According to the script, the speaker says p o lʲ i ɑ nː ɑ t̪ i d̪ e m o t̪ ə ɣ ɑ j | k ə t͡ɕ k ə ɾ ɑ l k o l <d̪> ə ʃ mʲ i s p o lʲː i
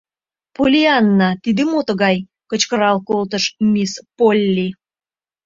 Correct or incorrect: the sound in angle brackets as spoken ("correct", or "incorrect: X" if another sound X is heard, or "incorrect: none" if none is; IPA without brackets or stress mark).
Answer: incorrect: t̪